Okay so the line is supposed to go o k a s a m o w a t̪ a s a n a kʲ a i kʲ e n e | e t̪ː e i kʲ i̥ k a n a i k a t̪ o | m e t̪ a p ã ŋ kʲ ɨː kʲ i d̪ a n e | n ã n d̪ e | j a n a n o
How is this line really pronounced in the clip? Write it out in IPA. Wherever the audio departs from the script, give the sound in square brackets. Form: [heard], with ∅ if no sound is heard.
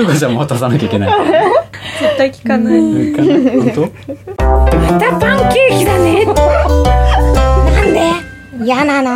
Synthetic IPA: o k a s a m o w a t̪ a s a n a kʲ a i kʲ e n [a] | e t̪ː [a] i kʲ i̥ k a n a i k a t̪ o | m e t̪ a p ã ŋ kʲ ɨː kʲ i d̪ a n e | n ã n d̪ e | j a n a n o